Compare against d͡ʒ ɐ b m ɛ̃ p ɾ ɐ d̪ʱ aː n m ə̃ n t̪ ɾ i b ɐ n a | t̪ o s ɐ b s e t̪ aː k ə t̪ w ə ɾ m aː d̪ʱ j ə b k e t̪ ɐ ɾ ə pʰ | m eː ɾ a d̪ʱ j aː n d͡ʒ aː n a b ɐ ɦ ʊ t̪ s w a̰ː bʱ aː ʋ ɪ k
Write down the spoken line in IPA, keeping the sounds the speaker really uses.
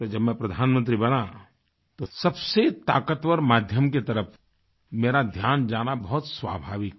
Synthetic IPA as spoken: d͡ʒ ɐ b m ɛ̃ p ɾ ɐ d̪ʱ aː n m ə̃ n t̪ ɾ i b ɐ n a | t̪ o s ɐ b s e t̪ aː k ə t̪ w ə ɾ m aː d̪ʱ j ə m k e t̪ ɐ ɾ ə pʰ | m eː ɾ a d̪ʱ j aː n d͡ʒ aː n a b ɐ ɦ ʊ t̪ s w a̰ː bʱ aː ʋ ɪ k